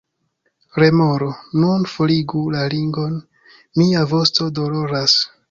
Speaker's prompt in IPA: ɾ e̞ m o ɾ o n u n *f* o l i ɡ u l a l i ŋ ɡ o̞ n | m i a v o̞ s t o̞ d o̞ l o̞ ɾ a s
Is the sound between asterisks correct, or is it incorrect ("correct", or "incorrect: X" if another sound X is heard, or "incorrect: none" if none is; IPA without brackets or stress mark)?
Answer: correct